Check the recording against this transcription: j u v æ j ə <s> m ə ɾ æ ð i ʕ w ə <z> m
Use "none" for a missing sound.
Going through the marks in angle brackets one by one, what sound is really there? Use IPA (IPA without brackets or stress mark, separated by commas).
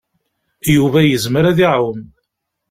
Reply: z, none